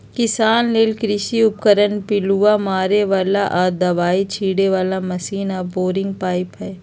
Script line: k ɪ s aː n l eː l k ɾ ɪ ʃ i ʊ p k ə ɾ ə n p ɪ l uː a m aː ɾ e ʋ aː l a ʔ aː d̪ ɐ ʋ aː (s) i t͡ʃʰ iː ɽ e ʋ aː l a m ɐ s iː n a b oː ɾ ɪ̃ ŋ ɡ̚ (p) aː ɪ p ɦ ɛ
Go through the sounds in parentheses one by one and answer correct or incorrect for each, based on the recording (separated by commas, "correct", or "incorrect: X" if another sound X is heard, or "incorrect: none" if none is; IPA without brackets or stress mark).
incorrect: none, correct